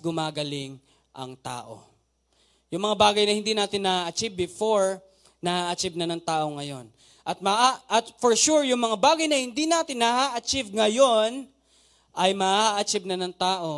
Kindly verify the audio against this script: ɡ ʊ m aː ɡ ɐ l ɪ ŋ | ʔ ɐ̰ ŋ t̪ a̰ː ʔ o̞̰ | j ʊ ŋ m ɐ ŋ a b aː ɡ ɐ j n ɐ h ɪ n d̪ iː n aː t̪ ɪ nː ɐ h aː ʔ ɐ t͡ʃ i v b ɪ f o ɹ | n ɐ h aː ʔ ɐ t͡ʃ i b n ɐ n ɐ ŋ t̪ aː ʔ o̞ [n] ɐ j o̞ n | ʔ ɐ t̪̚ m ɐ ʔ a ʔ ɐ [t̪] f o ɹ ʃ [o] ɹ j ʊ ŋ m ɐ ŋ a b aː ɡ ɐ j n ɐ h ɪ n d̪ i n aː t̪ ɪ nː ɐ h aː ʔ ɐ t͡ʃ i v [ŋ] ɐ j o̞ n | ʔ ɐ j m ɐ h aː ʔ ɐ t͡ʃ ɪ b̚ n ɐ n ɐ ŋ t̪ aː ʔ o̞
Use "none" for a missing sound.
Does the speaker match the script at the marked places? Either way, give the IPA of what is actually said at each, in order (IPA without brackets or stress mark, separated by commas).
ŋ, t̪, u, ŋ